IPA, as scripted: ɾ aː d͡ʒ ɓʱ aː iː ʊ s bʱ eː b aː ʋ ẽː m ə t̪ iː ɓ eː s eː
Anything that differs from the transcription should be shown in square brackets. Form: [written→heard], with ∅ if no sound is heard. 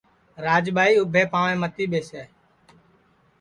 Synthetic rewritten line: ɾ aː d͡ʒ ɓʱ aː iː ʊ [s→∅] bʱ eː [b→p] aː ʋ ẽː m ə t̪ iː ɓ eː s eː